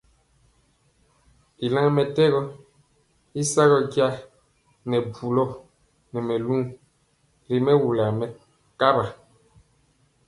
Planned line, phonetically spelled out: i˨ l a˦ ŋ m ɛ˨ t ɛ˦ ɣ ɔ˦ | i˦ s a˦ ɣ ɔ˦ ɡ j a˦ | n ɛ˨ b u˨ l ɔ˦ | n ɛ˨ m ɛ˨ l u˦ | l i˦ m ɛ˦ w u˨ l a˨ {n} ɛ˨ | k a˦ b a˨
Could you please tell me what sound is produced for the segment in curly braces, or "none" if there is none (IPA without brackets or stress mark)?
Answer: m